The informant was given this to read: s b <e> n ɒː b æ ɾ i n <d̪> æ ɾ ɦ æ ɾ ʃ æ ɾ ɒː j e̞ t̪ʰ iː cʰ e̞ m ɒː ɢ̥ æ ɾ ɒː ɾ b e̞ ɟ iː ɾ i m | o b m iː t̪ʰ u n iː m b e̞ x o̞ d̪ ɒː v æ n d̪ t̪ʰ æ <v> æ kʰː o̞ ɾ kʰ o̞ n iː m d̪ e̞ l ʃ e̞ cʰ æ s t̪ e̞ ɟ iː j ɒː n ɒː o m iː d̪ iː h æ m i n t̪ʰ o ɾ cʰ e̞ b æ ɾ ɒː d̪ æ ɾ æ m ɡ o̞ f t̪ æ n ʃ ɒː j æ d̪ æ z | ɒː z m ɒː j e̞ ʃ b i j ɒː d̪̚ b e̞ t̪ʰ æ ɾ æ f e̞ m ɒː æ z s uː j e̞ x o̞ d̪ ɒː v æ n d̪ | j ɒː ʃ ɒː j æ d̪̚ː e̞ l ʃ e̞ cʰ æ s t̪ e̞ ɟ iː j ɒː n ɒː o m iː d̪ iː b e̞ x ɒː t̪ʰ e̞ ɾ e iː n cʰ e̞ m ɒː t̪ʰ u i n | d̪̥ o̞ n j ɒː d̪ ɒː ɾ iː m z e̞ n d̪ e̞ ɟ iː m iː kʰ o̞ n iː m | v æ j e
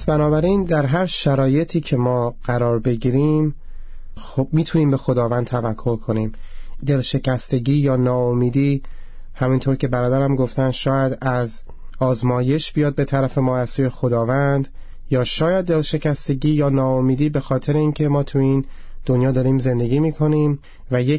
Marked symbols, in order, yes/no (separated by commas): no, yes, yes